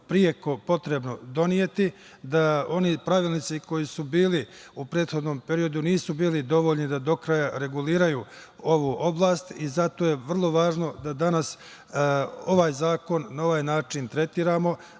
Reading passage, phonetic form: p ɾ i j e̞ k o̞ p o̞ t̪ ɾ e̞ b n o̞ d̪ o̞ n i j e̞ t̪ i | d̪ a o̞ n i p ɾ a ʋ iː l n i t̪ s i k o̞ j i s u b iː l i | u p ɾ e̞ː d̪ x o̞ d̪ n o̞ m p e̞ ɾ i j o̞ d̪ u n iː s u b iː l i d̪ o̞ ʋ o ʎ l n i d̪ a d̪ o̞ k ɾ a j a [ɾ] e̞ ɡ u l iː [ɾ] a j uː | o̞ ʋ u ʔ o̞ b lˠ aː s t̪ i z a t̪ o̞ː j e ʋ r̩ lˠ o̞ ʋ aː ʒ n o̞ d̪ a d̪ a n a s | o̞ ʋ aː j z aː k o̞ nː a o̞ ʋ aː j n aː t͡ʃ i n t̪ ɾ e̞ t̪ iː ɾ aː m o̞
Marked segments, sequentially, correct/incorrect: correct, correct

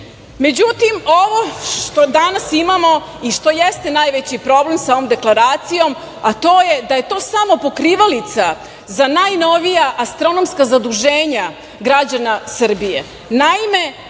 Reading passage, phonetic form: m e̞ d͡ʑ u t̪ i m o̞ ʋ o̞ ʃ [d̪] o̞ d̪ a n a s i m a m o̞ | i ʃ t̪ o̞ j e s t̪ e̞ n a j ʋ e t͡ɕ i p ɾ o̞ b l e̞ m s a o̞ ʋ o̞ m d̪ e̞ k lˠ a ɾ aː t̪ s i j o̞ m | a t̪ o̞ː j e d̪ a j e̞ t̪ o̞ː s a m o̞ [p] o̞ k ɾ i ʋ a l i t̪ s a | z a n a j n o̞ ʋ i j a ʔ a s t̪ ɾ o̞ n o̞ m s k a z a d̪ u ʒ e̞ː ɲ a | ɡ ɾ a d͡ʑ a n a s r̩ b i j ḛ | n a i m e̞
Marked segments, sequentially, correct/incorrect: incorrect: t̪, correct

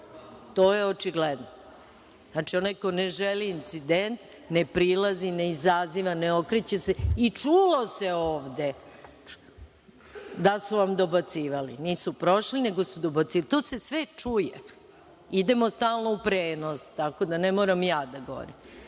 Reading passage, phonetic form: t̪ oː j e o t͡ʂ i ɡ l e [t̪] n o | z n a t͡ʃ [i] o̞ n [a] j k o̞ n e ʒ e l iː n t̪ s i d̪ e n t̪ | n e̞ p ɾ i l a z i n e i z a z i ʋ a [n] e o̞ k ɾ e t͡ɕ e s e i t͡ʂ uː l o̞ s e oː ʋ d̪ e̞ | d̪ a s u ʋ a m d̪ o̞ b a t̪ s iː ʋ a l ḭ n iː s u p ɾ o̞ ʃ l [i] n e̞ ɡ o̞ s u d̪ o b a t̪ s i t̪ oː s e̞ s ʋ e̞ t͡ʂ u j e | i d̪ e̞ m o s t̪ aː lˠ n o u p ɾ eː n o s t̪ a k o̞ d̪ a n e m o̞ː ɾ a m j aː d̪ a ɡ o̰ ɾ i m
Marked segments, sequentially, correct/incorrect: incorrect: d̪, correct, correct, correct, correct

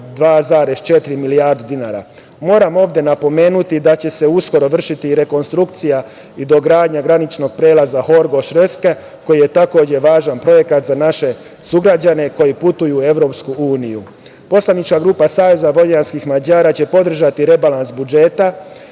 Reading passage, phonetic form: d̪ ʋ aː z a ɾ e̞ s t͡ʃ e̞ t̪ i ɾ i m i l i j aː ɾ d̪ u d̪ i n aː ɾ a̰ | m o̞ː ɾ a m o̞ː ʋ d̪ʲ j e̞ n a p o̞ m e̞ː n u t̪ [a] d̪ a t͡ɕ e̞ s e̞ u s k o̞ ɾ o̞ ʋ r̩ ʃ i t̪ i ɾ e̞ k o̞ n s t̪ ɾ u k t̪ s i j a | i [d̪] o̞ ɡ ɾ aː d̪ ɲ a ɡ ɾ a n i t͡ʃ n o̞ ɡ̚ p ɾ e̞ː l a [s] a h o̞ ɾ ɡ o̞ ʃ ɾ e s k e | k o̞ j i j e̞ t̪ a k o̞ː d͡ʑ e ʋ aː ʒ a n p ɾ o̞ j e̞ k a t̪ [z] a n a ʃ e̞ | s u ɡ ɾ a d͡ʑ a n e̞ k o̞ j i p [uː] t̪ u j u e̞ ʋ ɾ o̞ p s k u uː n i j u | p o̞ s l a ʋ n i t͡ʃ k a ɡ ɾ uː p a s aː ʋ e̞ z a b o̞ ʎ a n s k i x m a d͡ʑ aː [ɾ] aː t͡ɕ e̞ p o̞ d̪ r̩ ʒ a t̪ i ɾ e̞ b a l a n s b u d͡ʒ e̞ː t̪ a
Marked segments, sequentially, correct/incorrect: incorrect: i, correct, incorrect: z, correct, incorrect: u, correct

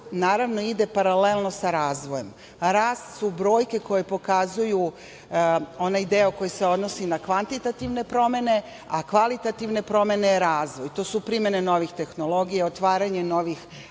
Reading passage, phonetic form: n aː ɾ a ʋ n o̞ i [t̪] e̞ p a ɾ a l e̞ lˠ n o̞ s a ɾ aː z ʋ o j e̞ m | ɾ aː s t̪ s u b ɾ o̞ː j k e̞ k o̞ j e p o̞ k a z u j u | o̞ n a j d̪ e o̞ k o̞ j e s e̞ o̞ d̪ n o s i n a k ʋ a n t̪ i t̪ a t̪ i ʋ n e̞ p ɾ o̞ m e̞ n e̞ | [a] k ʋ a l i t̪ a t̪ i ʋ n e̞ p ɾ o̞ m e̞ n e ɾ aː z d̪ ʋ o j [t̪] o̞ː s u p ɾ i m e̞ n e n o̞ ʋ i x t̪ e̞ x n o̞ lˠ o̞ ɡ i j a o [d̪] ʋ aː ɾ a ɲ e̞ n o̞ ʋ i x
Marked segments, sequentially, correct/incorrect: incorrect: d̪, correct, correct, incorrect: t̪

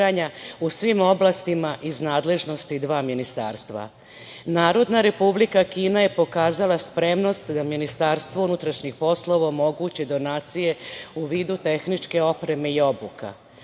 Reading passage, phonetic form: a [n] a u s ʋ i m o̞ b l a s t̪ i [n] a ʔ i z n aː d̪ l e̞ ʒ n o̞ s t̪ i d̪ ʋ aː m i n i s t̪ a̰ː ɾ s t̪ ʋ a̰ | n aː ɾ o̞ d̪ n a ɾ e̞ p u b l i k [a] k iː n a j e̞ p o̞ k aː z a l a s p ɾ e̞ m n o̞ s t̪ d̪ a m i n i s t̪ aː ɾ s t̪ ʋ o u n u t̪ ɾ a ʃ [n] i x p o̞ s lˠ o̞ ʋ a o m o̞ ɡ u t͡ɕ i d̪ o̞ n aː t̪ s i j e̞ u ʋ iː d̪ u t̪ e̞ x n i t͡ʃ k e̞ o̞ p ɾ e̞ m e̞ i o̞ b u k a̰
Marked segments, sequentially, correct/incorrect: incorrect: ɲ, incorrect: m, correct, incorrect: ɲ

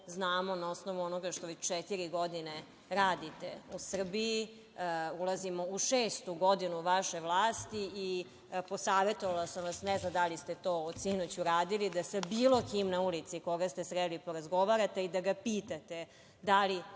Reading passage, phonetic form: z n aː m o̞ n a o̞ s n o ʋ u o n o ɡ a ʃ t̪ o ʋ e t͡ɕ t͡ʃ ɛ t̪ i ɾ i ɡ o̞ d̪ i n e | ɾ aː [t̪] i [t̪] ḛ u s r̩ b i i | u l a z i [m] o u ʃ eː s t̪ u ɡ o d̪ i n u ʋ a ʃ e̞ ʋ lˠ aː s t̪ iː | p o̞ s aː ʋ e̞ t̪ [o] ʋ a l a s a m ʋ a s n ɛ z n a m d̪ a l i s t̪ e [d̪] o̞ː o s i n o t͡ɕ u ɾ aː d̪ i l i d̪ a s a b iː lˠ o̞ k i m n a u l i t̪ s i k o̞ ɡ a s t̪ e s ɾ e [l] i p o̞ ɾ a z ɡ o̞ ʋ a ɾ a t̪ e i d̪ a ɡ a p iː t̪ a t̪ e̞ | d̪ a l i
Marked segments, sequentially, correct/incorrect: incorrect: d̪, correct, correct, correct, incorrect: t̪, correct

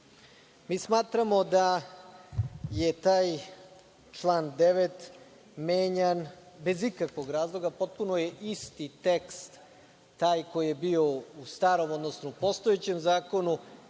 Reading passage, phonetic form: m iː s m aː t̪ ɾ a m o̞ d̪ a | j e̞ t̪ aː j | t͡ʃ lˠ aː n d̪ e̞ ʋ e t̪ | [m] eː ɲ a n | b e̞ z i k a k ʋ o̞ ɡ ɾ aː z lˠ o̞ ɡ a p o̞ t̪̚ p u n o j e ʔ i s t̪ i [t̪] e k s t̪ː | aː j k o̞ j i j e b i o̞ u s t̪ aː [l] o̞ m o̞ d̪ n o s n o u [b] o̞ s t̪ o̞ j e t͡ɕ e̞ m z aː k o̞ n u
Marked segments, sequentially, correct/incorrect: correct, correct, incorrect: ɾ, incorrect: p

